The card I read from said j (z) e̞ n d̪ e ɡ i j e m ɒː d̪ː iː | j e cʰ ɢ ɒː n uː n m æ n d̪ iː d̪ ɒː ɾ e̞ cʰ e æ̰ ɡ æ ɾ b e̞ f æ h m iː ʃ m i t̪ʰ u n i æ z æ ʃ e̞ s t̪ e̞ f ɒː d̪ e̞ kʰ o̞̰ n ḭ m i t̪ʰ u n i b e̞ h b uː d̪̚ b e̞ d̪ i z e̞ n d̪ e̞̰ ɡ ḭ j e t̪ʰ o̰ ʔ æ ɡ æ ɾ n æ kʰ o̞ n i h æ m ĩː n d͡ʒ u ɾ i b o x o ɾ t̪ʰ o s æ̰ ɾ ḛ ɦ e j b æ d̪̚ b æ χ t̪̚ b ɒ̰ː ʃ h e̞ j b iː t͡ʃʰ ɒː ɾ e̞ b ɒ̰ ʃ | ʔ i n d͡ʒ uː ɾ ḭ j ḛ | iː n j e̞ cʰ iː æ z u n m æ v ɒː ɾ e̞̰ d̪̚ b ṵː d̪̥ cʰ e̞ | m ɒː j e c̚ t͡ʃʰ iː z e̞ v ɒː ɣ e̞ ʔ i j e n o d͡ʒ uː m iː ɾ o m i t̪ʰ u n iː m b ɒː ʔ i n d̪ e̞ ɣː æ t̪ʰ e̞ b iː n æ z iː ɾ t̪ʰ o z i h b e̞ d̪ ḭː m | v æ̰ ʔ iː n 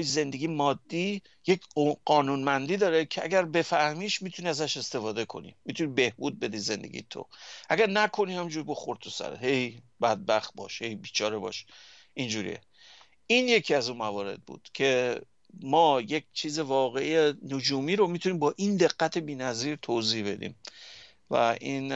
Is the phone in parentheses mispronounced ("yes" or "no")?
no